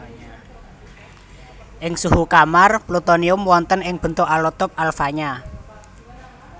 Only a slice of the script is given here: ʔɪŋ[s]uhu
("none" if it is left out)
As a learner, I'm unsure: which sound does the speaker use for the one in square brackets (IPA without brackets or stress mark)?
s